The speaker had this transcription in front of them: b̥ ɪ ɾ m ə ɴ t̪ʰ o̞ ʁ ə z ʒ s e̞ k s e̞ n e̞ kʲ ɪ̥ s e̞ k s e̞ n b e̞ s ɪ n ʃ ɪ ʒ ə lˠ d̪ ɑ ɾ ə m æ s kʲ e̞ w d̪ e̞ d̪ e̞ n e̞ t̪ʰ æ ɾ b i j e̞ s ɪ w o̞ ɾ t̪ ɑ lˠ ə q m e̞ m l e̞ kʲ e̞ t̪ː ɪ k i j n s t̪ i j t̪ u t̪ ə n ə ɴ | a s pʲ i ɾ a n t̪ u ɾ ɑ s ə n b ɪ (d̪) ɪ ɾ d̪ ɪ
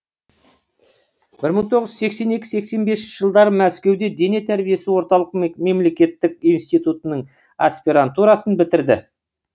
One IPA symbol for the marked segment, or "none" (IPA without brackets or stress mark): t̪